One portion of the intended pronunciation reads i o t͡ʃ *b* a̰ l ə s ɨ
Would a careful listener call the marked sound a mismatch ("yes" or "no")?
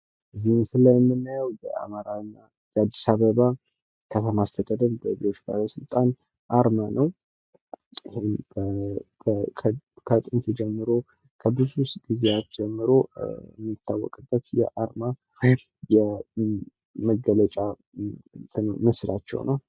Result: no